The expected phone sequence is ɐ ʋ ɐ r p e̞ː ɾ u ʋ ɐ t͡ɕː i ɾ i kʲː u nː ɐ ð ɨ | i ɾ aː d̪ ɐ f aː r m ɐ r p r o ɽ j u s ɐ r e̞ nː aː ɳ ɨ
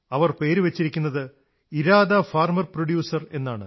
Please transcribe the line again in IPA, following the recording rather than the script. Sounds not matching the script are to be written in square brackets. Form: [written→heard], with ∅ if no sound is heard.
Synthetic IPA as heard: ɐ ʋ ɐ r p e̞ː ɾ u ʋ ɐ t͡ɕː i ɾ i kʲː u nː ɐ ð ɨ | i ɾ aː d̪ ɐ f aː r m ɐ r p r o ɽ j [u→uː] s ɐ r e̞ nː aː ɳ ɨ